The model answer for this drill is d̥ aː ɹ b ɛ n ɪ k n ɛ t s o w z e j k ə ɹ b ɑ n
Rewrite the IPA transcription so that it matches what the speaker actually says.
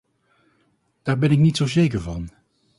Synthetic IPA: d̥ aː ɹ b ɛ n ɪ k n i t s o w z e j k ə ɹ v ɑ n